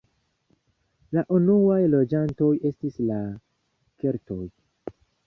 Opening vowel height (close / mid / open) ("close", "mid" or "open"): open